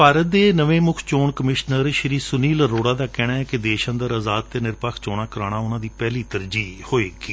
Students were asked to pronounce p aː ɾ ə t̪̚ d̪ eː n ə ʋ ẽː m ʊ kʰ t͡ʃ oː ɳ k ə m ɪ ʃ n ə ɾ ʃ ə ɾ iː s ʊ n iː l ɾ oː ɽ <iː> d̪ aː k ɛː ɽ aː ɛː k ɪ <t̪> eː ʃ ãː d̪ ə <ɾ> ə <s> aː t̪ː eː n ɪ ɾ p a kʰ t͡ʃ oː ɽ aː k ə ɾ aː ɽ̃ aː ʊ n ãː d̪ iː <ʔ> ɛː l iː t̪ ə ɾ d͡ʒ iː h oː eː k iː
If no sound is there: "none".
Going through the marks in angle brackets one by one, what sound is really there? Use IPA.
aː, d̪, ɾ, z, p

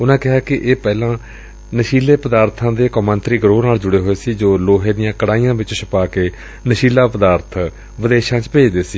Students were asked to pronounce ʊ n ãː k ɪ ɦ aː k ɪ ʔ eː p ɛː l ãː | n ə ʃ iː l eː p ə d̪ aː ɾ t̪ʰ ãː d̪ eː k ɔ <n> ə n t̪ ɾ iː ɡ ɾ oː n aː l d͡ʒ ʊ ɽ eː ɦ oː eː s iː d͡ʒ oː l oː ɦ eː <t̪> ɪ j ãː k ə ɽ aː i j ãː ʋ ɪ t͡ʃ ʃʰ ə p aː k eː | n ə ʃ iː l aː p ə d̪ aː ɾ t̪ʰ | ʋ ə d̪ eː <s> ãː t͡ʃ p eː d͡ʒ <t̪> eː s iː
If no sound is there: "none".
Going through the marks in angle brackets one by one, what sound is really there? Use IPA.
m, d̪, ʃ, d̪

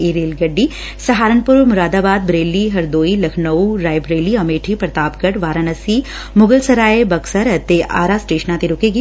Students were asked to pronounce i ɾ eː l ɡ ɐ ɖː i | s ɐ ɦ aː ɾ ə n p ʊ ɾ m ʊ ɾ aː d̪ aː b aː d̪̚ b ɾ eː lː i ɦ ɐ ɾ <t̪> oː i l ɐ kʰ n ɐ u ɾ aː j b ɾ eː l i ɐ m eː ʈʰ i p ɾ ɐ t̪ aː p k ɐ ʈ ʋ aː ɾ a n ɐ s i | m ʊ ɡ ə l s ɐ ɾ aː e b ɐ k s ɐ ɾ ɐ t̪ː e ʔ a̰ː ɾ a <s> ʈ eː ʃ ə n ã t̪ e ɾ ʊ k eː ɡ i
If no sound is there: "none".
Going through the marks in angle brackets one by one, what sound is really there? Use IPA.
d̪, s

